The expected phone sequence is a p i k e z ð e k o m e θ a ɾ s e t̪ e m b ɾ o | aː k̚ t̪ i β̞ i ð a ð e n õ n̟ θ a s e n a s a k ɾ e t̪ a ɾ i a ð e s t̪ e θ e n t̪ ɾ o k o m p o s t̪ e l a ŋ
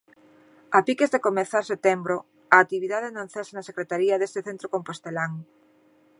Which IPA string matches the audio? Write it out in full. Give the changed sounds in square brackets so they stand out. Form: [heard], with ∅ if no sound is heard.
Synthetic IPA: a p i k e z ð e k o m e θ a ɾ s e t̪ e m b ɾ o | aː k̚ t̪ i β̞ i ð a ð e n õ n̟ θ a s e n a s [e] k ɾ e t̪ a ɾ i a ð e s t̪ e θ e n t̪ ɾ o k o m p o s t̪ e l a ŋ